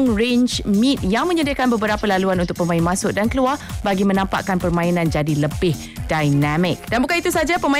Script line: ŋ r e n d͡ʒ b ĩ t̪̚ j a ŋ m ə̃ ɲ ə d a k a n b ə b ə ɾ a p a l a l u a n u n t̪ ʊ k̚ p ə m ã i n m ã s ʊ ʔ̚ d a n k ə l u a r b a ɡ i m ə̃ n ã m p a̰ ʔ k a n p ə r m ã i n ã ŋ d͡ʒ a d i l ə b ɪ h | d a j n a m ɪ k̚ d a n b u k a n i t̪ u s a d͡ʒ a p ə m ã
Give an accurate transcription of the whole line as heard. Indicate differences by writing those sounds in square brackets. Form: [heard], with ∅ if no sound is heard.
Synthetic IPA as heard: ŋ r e n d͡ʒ [m] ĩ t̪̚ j a ŋ m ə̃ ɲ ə d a k a n b ə b ə ɾ a p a l a l u a n u n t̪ ʊ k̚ p ə m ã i n m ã s ʊ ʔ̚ d a n k ə l u a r b a ɡ i m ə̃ n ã m p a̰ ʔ k a n p ə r m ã i n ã [n] d͡ʒ a d i l ə b ɪ h | d a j n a m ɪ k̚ d a n b u k a n i t̪ u s a d͡ʒ a p ə m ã